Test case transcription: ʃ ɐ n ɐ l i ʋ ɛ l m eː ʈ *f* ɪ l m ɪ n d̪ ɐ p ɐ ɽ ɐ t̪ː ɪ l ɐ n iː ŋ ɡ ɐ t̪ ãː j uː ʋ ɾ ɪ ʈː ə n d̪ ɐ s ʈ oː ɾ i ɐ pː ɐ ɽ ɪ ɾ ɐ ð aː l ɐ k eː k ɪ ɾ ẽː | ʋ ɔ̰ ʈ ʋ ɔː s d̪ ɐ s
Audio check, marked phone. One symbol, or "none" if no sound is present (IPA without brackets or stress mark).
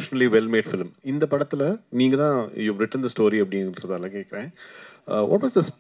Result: f